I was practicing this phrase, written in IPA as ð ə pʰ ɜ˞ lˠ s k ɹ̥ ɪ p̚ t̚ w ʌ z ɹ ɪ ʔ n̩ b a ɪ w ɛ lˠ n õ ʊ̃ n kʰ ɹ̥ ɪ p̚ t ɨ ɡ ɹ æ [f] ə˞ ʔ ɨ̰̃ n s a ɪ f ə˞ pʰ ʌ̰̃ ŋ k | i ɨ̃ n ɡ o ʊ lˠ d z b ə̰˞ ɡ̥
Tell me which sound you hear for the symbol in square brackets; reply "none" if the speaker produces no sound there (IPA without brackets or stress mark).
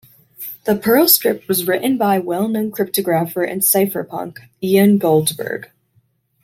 f